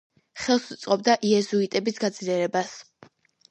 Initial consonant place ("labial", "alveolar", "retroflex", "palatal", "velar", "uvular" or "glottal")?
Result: uvular